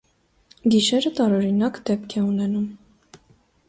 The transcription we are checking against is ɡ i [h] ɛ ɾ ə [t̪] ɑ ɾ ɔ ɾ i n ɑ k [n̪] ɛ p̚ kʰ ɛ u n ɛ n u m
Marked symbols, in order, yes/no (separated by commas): no, yes, no